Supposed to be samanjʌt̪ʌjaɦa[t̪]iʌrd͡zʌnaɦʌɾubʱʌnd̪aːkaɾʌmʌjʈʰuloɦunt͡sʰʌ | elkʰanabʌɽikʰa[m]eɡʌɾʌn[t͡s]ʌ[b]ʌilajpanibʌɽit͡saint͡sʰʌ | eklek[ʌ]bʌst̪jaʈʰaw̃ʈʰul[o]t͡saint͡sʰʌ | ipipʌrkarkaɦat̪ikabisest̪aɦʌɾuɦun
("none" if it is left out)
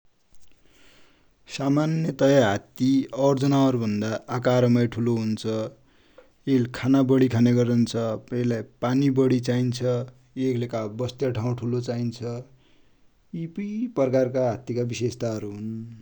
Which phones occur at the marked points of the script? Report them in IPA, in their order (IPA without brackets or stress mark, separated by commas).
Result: t̪, n, t͡sʰ, p, a, o